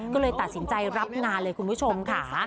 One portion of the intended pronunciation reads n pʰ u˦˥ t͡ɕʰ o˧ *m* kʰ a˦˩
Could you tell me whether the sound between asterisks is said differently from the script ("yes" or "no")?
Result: no